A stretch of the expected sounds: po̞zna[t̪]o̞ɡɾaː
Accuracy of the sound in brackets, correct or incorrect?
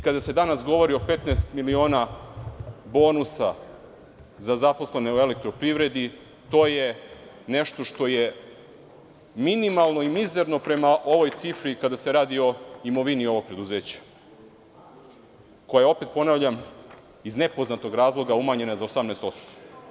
correct